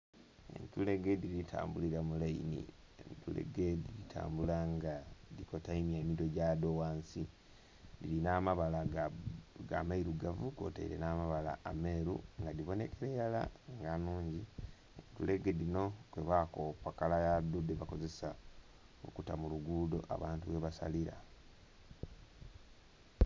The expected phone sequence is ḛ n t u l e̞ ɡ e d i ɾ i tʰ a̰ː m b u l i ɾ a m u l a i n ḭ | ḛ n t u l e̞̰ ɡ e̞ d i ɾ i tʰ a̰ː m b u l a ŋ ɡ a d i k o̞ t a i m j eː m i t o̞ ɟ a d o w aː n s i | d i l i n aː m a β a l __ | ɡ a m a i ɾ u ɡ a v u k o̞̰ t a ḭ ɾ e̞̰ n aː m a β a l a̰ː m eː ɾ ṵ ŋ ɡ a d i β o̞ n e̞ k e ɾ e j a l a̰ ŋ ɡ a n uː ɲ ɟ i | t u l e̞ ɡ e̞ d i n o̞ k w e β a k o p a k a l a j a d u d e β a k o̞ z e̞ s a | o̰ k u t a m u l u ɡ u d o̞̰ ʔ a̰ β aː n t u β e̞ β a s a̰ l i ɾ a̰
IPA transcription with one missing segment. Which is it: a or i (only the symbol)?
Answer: a